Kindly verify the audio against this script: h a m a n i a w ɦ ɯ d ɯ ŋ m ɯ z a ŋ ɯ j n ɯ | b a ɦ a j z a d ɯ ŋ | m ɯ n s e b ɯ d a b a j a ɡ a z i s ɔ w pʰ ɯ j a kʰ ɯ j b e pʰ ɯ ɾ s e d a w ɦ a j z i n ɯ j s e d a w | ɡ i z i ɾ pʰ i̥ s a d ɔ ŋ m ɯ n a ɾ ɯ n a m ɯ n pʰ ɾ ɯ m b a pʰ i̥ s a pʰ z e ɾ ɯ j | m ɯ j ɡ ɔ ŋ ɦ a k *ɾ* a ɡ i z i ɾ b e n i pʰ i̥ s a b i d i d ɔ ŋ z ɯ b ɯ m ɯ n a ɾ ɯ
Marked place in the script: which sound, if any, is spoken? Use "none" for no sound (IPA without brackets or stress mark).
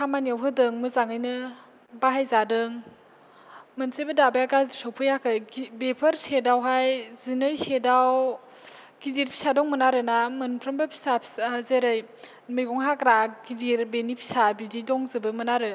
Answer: ɾ